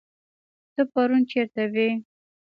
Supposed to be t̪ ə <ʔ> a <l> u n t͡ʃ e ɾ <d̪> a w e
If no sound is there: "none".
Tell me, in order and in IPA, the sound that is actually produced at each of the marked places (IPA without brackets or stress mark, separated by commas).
p, ɾ, t̪